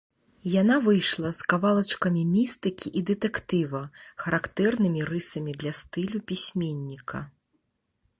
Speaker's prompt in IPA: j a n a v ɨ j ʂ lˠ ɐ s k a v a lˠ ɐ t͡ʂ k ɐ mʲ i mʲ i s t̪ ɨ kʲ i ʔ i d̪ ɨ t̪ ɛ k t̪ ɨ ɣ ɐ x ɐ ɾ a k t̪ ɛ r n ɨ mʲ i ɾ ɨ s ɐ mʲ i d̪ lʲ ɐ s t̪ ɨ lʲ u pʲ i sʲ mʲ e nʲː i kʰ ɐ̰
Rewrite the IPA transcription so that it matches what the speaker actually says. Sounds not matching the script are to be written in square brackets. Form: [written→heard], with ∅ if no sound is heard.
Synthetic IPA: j a n a v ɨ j ʂ lˠ ɐ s k a v a lˠ ɐ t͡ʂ k ɐ mʲ i mʲ i s t̪ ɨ kʲ i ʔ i d̪ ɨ t̪ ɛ k t̪ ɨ [ɣ→v] ɐ x ɐ ɾ a k t̪ ɛ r n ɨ mʲ i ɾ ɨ s ɐ mʲ i d̪ lʲ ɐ s t̪ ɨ lʲ u pʲ i sʲ mʲ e nʲː i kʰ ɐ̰